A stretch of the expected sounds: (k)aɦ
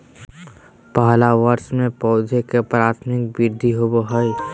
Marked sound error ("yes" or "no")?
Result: yes